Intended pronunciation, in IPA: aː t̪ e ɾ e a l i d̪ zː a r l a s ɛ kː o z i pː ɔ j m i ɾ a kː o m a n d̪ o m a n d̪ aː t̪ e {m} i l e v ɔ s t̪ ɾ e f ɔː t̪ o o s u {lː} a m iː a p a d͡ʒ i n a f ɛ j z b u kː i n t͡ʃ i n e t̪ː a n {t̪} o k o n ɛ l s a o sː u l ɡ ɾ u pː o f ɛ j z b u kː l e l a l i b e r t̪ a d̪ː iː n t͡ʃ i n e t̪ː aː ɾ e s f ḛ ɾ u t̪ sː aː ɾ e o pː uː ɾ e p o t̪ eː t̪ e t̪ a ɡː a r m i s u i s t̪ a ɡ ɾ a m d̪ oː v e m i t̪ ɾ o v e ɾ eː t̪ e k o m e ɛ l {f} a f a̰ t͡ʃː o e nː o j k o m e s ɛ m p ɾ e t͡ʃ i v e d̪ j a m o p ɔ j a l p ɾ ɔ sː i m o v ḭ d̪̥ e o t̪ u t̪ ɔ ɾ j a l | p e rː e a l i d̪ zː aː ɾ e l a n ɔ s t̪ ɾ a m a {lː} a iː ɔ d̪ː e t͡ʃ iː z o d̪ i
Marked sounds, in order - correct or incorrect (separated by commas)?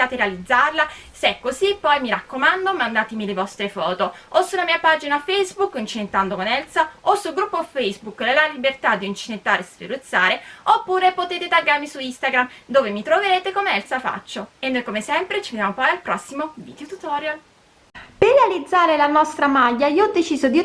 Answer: correct, incorrect, incorrect, incorrect, incorrect